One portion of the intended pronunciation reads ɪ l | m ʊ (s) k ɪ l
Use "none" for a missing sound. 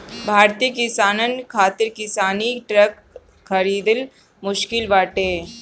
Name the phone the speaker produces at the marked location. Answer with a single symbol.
ʃ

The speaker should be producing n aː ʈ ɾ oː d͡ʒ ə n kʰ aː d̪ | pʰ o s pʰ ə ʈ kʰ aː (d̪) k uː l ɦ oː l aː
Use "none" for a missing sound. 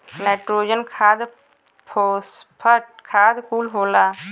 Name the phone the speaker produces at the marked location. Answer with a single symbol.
d̪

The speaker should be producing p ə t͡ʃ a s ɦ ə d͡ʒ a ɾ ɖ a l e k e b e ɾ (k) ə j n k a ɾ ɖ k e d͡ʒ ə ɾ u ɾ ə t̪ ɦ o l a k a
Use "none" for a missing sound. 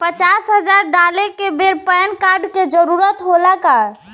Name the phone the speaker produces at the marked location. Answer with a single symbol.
p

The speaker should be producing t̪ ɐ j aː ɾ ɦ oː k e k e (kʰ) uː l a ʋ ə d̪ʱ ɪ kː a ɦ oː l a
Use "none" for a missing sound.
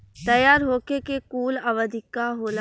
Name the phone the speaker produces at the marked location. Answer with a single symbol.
k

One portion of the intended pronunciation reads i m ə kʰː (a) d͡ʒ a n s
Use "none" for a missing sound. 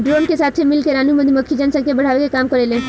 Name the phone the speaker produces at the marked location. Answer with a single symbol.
i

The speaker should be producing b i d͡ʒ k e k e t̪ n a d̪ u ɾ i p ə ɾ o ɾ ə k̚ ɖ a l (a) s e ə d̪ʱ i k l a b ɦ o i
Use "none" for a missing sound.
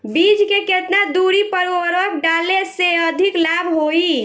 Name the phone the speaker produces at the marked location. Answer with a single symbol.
e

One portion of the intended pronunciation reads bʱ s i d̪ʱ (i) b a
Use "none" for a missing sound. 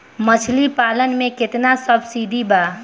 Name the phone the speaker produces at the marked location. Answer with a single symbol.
i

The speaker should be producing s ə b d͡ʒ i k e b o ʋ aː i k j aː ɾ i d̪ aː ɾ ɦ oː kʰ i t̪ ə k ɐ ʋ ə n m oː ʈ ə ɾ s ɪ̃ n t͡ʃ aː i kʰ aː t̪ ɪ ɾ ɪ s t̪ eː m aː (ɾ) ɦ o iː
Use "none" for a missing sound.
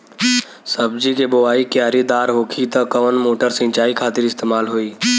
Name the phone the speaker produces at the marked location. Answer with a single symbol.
l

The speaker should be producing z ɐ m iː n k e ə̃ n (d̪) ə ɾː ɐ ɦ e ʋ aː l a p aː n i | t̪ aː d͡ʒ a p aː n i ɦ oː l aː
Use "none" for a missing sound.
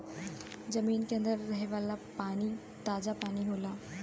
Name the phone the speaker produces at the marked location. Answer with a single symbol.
d̪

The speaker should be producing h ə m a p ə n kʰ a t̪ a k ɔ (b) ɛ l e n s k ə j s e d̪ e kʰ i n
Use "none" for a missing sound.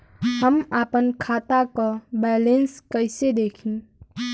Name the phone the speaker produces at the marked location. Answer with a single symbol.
b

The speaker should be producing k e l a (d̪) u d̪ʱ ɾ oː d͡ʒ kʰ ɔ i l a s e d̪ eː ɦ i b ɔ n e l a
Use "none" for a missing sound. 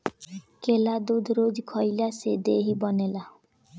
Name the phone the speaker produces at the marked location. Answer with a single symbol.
d̪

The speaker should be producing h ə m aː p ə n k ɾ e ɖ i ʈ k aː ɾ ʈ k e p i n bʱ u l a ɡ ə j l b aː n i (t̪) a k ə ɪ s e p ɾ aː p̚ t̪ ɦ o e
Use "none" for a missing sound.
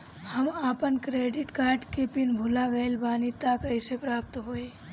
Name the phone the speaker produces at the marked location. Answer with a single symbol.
t̪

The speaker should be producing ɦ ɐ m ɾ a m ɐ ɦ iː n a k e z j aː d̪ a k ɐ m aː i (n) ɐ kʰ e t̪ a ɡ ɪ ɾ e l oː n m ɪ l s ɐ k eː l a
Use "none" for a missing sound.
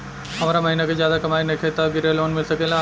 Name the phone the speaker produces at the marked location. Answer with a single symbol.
n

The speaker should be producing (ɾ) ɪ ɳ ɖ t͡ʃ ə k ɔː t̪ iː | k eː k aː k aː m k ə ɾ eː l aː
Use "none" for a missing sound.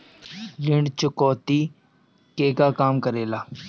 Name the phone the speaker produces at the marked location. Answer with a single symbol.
l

